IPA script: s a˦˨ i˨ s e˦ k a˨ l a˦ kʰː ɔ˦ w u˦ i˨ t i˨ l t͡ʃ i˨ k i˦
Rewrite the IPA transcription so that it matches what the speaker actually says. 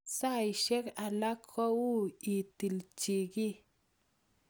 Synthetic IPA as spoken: s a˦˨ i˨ ʃ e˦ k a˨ l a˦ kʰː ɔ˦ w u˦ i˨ t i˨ l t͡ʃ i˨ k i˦

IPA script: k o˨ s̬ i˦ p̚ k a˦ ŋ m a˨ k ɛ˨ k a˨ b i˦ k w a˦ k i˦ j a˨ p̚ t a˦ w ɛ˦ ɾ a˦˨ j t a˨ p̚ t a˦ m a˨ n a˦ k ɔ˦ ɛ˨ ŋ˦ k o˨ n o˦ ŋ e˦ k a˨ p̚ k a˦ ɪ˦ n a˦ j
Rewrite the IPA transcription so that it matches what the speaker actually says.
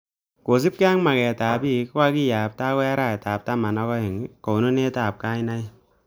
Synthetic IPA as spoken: k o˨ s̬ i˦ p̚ k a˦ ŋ m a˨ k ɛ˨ t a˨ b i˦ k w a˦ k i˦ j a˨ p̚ t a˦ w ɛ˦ ɾ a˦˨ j t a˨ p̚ t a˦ m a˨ n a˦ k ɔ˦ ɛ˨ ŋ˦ k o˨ n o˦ n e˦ t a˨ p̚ k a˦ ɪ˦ n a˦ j

